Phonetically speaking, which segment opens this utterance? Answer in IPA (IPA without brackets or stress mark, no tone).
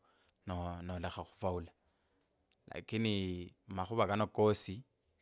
n